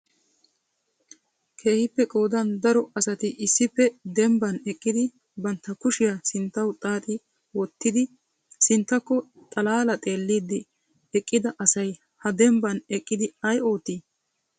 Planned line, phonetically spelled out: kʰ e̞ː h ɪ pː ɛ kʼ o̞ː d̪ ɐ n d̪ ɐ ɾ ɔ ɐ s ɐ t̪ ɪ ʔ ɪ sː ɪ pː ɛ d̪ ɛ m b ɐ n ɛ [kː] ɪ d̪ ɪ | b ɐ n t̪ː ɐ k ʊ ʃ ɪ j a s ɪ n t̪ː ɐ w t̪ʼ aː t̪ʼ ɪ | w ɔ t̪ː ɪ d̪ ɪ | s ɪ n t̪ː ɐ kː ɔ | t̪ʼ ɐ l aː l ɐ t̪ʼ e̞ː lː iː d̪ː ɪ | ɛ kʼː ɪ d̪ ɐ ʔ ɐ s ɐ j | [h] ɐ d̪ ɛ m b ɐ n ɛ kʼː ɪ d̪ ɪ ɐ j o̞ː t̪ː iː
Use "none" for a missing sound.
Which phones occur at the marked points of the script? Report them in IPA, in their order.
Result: kʼː, h

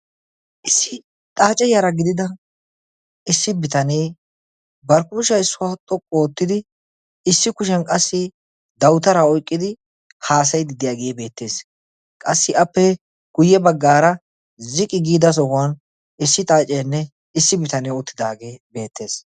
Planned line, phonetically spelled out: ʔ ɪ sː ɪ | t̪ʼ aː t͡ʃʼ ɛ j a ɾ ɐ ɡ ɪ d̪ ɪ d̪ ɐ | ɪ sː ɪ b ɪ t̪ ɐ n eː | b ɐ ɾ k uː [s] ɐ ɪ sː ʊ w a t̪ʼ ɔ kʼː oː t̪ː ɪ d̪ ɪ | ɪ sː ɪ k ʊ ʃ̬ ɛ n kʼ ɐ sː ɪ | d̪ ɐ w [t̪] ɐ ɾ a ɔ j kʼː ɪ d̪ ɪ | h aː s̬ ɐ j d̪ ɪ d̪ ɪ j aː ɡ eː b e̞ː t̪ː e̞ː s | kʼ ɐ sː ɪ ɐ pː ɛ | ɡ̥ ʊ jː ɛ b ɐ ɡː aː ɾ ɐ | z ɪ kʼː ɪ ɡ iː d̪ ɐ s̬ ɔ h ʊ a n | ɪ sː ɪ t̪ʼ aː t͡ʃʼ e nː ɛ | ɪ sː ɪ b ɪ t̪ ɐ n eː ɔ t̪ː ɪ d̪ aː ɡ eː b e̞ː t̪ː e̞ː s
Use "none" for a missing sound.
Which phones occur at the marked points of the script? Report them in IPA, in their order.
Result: ʃ, t̪

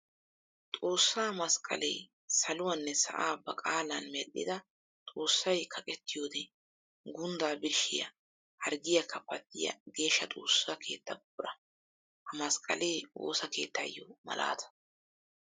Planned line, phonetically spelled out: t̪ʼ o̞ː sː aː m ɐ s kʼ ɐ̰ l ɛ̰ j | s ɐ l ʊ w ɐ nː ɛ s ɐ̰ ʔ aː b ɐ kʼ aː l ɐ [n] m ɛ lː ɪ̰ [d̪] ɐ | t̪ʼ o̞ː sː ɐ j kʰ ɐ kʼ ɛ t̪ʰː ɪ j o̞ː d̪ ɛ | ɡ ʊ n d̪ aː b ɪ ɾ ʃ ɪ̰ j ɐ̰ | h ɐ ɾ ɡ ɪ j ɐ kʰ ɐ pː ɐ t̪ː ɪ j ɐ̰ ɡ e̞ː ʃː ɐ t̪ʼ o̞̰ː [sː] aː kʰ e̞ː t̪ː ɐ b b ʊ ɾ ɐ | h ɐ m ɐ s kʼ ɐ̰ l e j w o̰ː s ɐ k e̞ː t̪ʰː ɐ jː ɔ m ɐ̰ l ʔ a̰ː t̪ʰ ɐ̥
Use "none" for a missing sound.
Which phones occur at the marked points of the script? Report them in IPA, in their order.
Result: n, d̪, sː

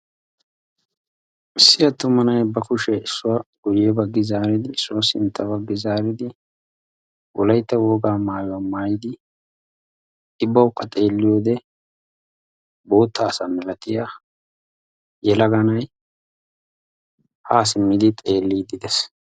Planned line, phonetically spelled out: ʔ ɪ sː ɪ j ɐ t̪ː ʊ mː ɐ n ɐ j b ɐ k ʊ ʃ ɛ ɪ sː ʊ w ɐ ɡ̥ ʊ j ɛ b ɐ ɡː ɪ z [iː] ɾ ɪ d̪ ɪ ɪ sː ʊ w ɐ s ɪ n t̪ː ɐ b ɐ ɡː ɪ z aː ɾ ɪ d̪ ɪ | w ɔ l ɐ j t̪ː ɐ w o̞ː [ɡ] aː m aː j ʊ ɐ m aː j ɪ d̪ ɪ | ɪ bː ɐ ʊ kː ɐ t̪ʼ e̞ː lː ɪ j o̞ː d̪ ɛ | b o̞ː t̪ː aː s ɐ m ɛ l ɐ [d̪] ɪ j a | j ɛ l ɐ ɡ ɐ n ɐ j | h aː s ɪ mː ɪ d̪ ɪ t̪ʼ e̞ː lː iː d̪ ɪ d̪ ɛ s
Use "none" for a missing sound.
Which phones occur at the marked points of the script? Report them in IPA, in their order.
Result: aː, ɡ, t̪

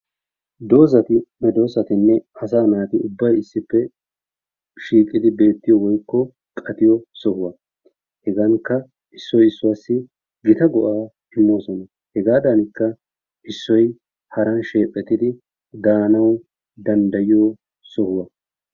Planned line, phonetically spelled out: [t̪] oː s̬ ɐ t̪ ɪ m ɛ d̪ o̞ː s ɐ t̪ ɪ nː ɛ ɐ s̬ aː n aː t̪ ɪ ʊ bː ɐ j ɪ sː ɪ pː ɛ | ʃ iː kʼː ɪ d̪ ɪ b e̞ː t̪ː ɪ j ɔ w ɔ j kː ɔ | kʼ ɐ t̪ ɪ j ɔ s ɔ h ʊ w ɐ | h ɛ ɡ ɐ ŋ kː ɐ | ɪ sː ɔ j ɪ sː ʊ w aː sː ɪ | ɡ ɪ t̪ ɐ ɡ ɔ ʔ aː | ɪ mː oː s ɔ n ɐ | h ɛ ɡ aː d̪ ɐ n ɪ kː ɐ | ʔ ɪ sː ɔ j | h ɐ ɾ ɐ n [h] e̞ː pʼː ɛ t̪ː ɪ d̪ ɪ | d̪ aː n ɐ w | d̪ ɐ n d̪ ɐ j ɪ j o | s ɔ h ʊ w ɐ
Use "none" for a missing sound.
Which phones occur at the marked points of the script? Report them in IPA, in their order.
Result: d̪, ʃ

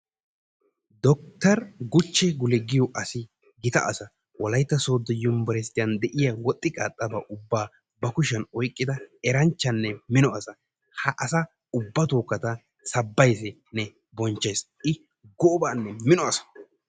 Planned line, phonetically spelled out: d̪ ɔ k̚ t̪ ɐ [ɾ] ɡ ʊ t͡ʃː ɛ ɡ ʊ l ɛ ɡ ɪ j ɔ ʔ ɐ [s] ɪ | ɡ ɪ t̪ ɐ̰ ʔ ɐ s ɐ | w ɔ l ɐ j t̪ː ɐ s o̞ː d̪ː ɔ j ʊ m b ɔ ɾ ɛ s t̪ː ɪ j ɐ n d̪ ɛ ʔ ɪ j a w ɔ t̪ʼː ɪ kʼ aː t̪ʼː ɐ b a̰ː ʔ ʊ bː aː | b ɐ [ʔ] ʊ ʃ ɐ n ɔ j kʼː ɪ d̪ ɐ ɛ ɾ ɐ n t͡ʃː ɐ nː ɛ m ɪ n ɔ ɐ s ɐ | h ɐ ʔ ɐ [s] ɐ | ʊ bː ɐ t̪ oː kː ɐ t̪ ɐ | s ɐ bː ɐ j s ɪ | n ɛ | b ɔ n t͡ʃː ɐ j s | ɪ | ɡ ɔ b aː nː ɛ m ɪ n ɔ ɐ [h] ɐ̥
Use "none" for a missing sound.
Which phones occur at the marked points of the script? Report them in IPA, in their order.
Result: ɾ, s, k, s, s

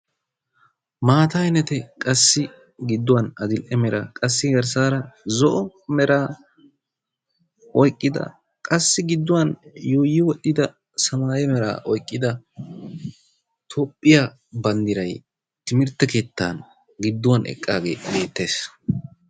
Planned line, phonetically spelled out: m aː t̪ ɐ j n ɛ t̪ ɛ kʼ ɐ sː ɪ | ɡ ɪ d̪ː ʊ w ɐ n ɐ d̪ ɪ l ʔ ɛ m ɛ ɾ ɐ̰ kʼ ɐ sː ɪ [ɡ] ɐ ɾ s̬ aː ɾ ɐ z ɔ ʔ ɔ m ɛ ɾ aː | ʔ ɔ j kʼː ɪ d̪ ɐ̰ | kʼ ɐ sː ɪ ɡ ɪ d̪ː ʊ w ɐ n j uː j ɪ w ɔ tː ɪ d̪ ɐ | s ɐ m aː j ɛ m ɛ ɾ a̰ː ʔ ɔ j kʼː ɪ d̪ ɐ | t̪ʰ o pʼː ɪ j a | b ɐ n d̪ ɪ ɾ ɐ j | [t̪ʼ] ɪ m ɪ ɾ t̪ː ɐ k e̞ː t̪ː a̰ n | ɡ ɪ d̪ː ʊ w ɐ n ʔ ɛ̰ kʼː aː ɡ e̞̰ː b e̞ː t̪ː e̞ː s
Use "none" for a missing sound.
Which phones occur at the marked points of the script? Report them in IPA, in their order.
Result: ɡ, t̪

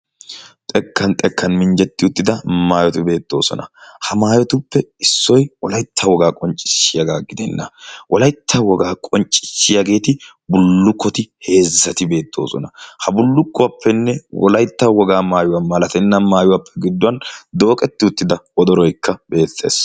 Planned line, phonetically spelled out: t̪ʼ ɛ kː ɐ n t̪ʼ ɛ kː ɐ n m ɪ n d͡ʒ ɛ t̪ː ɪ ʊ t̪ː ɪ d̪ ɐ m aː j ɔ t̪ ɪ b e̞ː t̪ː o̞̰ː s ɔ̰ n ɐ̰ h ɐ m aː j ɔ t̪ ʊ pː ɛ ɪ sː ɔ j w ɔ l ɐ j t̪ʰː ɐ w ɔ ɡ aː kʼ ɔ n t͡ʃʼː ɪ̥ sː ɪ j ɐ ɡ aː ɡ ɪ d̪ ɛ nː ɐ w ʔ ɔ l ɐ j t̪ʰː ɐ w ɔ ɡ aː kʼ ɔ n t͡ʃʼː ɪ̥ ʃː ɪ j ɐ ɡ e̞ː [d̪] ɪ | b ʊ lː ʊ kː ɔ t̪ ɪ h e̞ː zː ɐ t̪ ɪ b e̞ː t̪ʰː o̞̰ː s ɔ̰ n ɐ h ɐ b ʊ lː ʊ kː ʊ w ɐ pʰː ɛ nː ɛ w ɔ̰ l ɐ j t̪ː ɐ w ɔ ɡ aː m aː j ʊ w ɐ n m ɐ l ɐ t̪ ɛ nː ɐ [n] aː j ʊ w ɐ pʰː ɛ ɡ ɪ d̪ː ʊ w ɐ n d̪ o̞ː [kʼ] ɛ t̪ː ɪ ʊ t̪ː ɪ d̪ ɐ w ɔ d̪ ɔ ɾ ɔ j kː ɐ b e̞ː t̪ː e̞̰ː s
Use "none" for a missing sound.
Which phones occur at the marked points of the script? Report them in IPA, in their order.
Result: t̪, m, kʼ

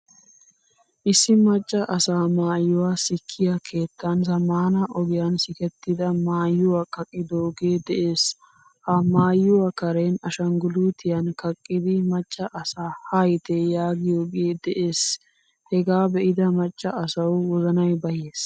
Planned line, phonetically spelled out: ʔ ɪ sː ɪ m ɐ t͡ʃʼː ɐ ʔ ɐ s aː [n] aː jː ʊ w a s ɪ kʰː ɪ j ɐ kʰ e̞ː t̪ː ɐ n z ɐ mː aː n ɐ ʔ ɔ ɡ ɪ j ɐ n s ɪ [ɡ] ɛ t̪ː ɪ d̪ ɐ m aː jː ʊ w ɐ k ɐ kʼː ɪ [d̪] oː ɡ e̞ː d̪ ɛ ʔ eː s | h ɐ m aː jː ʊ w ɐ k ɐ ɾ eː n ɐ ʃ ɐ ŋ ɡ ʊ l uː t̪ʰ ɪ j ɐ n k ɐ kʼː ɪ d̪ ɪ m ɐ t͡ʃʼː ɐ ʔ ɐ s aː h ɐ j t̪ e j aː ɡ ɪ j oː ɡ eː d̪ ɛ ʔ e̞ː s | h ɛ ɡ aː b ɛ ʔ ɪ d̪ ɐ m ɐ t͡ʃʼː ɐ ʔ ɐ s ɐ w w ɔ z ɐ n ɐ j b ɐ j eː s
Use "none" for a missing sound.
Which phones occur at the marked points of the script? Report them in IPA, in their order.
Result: m, k, d̪

